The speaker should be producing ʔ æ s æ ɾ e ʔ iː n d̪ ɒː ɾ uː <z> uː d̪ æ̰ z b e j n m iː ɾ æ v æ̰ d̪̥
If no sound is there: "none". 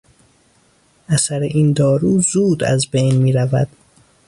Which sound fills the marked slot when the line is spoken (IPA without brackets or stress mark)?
z